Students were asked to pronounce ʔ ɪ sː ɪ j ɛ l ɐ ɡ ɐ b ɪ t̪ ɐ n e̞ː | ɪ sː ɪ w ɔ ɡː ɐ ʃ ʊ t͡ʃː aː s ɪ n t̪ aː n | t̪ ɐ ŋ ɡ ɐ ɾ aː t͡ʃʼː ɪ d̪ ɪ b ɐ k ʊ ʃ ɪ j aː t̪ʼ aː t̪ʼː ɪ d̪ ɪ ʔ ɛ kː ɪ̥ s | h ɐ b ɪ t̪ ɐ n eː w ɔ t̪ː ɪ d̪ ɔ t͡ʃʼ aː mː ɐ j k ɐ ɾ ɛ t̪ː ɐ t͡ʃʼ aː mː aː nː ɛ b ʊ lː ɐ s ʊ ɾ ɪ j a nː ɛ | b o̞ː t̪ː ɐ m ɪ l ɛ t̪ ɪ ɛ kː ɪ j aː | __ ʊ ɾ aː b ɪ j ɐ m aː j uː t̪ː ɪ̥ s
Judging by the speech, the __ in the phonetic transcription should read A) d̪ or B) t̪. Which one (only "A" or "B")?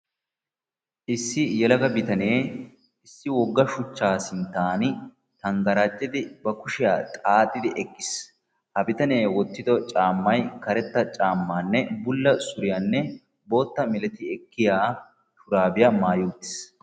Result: B